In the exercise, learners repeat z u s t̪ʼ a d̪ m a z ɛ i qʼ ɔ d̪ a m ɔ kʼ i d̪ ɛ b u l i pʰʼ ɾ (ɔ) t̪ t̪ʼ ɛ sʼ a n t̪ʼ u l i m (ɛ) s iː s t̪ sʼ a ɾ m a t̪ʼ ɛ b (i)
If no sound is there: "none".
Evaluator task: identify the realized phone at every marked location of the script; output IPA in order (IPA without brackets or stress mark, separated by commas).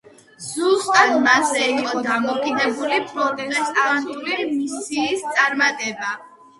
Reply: ɔ, i, a